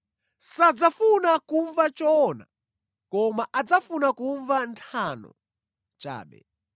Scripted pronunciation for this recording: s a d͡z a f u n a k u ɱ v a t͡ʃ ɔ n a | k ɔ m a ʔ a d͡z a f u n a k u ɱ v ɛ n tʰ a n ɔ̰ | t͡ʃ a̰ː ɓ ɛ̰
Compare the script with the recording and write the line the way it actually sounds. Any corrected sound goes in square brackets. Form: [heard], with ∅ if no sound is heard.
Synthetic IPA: s a d͡z a f u n a k u ɱ v a t͡ʃ ɔ n a | k ɔ m a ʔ a d͡z a f u n a k u ɱ v [a] n tʰ a n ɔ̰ | t͡ʃ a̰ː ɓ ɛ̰